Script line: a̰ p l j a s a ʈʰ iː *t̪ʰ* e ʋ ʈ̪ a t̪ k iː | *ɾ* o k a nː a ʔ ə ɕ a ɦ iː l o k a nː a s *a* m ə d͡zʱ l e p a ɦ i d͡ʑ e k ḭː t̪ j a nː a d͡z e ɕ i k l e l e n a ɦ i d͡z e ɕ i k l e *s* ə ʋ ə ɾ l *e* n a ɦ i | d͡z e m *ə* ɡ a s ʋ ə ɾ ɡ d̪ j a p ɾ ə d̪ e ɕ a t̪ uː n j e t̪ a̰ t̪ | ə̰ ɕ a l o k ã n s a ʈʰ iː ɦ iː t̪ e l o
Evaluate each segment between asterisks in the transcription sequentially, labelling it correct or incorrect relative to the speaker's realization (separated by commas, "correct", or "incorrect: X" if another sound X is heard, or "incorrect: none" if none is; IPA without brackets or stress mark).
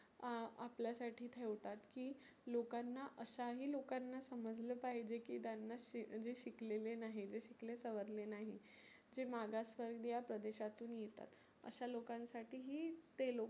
correct, incorrect: l, incorrect: ə, correct, correct, incorrect: a